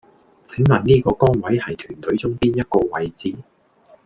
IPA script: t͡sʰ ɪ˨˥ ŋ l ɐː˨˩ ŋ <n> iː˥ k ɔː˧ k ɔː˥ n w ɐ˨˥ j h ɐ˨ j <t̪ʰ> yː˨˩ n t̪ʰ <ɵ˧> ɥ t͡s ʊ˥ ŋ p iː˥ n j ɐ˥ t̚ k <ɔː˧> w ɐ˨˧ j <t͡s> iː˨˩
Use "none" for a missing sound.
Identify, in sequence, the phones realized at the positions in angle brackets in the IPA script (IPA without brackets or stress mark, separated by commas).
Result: n, t̪ʰ, ɵ˨˥, ɔː˧, t͡s